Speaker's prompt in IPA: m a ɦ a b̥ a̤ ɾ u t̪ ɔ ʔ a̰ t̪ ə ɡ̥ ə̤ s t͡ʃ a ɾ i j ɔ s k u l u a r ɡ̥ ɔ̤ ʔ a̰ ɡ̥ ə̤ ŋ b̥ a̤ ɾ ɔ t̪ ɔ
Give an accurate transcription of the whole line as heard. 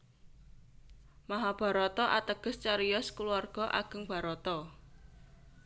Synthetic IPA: m a ɦ a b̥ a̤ ɾ ɔ t̪ ɔ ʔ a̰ t̪ ə ɡ̥ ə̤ s t͡ʃ a ɾ i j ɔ s k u l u a r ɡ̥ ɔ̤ ʔ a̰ ɡ̥ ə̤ ŋ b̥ a̤ ɾ ɔ t̪ ɔ